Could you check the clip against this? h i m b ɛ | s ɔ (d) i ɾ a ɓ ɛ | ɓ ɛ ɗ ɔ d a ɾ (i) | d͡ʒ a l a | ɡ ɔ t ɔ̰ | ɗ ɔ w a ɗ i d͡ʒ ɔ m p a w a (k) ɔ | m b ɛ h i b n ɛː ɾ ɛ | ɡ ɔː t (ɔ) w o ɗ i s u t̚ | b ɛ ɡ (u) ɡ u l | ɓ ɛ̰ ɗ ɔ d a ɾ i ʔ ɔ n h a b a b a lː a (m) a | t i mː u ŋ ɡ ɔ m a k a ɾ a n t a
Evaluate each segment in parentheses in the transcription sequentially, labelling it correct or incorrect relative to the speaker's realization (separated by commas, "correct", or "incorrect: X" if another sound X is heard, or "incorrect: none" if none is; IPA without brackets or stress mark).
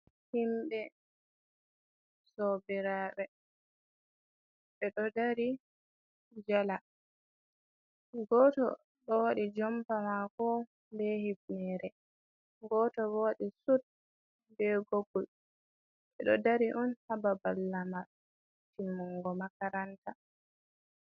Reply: incorrect: b, correct, correct, correct, incorrect: o, correct